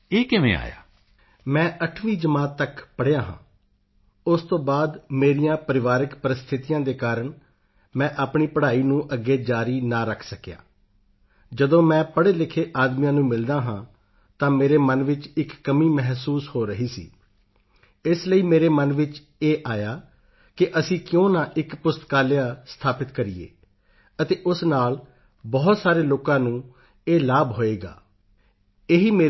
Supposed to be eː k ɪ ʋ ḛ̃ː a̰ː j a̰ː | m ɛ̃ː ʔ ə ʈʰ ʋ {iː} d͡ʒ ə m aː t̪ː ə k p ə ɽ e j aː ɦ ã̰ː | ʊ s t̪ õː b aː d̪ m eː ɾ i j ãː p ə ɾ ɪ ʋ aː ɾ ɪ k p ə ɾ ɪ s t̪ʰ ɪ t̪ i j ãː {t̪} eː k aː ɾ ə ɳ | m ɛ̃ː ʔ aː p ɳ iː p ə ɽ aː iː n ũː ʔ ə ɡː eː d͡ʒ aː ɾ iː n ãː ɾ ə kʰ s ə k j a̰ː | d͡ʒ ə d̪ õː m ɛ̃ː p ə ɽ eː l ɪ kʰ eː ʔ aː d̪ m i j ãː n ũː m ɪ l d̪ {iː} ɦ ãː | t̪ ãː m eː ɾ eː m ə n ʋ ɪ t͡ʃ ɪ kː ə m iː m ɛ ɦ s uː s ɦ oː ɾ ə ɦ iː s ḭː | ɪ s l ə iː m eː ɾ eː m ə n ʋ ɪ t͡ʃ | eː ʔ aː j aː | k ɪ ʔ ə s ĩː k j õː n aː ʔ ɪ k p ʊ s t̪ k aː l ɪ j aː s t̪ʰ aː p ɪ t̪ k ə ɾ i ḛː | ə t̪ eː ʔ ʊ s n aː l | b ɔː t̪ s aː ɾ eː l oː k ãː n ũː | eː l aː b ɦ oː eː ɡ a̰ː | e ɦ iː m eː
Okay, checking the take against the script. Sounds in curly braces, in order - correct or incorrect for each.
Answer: correct, incorrect: d̪, incorrect: aː

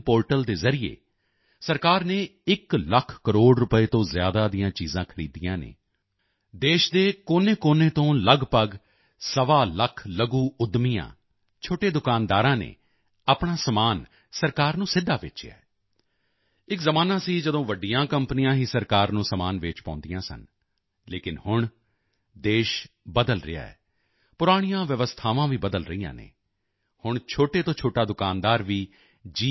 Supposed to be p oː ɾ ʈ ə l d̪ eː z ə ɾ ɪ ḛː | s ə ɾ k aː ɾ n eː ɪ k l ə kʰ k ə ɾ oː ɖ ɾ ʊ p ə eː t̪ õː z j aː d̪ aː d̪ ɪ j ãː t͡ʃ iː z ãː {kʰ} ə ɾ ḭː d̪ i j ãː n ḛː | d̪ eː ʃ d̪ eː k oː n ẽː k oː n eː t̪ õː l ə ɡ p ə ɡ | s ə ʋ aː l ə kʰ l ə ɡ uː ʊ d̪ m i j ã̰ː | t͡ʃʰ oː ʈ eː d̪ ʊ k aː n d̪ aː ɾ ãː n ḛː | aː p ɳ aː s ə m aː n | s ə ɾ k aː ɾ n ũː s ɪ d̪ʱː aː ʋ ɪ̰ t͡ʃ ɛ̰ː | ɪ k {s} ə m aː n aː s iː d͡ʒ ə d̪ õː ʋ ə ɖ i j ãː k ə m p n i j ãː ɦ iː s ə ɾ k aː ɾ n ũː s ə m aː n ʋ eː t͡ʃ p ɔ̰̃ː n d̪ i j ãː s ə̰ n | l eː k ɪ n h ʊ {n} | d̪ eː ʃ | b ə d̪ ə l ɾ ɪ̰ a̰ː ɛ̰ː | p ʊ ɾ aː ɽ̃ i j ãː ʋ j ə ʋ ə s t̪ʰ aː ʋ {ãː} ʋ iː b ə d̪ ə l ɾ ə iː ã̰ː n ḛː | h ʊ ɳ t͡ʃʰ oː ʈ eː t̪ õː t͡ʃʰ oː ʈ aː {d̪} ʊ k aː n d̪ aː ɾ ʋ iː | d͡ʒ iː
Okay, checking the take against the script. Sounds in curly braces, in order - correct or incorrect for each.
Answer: correct, incorrect: z, incorrect: ɳ, correct, correct

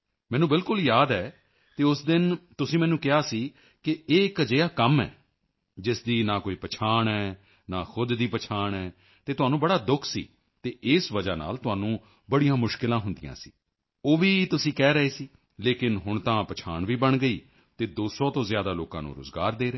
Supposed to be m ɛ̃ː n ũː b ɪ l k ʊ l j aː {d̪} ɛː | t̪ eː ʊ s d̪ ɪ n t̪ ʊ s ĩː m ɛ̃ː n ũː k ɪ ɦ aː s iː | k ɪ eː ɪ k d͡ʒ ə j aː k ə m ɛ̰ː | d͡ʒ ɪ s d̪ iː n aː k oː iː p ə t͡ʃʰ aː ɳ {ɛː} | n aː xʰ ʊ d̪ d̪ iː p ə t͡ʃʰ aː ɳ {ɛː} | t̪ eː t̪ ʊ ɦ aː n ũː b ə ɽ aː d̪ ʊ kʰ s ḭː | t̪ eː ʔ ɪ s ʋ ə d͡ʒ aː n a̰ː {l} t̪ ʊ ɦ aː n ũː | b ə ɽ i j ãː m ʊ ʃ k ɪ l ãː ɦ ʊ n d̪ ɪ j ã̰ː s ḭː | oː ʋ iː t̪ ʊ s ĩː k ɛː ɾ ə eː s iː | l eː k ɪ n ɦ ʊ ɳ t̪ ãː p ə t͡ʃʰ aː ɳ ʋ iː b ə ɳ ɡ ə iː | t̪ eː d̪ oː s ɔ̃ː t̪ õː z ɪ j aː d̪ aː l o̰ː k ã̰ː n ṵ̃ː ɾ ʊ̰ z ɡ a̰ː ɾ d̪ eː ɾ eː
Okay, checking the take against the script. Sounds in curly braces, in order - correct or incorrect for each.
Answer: correct, correct, correct, correct

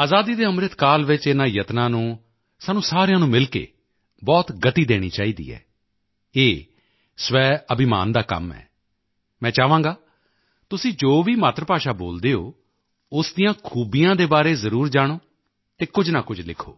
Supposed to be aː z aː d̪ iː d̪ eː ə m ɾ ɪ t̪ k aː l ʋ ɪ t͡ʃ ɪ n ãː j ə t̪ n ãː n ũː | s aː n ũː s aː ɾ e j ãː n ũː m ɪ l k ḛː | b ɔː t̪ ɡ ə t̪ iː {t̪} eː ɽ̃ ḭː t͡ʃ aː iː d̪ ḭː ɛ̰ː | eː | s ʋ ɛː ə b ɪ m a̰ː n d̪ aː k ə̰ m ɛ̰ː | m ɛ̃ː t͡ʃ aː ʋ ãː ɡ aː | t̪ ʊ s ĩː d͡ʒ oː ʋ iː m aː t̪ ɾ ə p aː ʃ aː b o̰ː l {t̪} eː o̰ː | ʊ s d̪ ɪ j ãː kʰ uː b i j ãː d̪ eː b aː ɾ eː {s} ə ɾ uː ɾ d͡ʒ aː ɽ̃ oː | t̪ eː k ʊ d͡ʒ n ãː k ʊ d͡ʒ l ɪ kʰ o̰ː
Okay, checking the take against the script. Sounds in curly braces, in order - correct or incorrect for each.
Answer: incorrect: d̪, incorrect: d̪, incorrect: z

